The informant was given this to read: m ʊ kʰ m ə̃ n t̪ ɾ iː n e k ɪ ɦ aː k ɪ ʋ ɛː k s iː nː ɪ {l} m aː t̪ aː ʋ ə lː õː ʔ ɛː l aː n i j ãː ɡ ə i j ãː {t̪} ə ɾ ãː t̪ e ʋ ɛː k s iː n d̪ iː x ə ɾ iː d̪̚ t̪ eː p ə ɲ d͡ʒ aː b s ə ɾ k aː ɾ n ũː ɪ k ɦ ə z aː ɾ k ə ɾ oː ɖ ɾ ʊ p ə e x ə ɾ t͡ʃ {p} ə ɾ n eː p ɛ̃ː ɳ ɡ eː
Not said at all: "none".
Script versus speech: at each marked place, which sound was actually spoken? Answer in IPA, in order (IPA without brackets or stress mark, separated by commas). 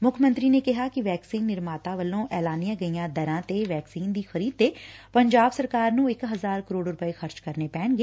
ɾ, d̪, k